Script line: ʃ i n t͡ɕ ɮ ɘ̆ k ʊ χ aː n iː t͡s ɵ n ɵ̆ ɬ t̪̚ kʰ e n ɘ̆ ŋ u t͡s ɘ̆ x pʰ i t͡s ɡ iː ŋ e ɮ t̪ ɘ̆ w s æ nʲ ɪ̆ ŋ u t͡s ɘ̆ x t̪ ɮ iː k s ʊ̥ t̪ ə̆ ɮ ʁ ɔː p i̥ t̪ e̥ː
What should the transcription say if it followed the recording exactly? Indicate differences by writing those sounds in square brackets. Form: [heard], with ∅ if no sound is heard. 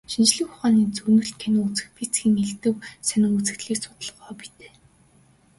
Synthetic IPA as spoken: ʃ i n t͡ɕ ɮ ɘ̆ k ʊ χ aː n iː t͡s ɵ n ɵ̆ ɬ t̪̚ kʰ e n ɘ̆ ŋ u t͡s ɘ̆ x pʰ i t͡s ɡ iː ŋ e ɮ t̪ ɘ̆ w s æ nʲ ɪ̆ ŋ u t͡s ɘ̆ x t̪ ɮ iː k s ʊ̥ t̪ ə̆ ɮ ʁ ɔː p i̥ t̪ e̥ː